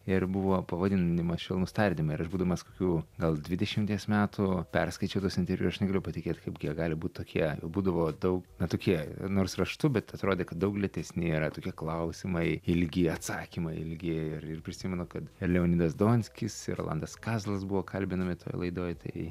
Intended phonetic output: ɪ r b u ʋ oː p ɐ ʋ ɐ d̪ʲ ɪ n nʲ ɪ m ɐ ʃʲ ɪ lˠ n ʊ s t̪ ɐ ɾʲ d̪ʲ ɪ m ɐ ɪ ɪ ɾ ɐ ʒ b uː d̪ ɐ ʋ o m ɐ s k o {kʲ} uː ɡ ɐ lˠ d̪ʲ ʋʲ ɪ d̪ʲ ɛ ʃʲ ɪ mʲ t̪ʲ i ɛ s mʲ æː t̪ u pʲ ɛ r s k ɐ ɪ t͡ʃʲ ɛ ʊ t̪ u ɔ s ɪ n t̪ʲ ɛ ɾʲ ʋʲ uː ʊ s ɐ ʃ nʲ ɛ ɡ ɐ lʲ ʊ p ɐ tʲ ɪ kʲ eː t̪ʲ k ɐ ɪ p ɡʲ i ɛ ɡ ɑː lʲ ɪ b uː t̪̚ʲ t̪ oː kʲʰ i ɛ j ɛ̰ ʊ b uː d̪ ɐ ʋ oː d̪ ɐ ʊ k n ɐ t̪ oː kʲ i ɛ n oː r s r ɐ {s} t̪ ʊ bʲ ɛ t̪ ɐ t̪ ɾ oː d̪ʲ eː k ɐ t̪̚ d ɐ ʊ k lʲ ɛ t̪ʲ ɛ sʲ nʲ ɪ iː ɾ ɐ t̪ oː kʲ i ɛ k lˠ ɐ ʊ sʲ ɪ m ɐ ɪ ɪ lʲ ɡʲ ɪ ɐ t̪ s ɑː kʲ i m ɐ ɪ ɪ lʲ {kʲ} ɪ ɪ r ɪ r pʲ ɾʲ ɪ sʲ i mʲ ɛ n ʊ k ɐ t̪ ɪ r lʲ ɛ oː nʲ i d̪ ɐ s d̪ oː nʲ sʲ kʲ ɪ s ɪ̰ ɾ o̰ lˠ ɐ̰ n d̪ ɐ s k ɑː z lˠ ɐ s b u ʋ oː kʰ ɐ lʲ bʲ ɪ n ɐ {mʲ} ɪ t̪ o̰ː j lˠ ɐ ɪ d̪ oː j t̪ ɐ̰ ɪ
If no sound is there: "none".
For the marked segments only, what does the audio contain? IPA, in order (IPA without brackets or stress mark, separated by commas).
kʲ, ʃ, ɡʲ, mʲ